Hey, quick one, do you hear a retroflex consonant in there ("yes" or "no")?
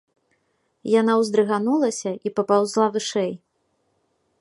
yes